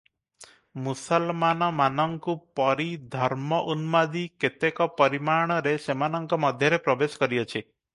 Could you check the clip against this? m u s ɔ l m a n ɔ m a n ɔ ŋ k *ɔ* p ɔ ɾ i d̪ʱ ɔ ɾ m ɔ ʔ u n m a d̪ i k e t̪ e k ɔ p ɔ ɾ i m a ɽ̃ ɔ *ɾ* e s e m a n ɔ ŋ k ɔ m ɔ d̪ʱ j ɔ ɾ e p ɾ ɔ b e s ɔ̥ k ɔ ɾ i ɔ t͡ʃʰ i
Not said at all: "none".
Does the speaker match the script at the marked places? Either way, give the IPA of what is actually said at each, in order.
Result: u, ɾ

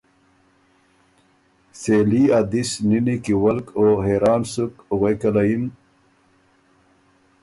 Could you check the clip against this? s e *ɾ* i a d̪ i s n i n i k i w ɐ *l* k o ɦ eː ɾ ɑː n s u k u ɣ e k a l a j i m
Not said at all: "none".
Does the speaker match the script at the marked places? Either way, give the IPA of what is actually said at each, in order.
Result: l, l

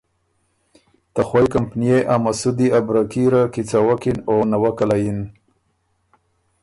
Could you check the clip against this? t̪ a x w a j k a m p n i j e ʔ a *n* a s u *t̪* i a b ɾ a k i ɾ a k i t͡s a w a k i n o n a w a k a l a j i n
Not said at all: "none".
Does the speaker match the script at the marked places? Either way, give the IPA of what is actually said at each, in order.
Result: m, d̪

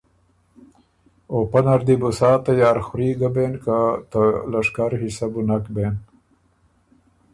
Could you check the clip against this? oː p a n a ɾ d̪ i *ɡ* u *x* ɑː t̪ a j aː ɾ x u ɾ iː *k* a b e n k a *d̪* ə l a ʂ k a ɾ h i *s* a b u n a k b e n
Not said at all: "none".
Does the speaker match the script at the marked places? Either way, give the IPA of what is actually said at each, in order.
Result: b, s, ɡ, t̪, s

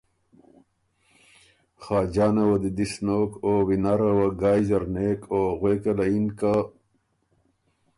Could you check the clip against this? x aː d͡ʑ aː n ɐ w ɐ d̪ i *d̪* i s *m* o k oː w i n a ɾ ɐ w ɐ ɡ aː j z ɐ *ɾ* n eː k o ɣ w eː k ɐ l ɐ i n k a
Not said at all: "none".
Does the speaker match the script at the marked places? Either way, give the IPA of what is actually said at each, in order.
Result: d̪, n, ɾ

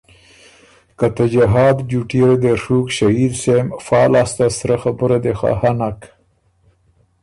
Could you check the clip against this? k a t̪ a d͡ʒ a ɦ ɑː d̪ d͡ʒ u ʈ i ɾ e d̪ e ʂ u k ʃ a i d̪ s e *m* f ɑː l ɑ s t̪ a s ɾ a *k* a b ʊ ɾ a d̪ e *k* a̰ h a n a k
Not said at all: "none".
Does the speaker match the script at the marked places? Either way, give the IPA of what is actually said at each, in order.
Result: m, x, x

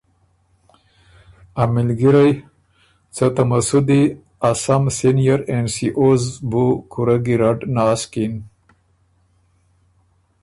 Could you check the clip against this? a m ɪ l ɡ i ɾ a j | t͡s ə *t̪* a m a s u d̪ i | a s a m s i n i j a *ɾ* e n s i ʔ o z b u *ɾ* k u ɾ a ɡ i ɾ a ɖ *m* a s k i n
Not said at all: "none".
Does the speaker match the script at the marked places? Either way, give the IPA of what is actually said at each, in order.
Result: t̪, ɾ, none, n

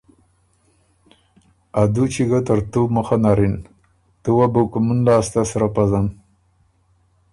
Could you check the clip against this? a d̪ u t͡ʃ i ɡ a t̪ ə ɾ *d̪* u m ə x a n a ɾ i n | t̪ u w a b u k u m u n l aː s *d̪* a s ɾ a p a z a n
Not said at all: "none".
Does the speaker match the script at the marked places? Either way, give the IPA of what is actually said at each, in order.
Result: t̪, t̪

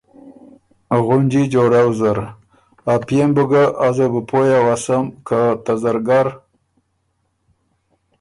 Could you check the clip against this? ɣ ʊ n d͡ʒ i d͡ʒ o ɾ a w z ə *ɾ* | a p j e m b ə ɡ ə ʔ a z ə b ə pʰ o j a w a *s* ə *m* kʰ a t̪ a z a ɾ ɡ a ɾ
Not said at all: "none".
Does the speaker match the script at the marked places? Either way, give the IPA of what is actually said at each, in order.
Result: ɾ, s, m

